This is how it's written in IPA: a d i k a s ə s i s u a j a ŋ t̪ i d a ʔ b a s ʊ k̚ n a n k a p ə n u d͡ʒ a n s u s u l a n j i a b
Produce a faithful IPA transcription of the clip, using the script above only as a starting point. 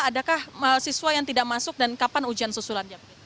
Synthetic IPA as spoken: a d a k a h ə s i s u a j a ŋ t̪ i d a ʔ m a s ʊ k̚ d a n k a p a n u d͡ʒ a n s u s u l a n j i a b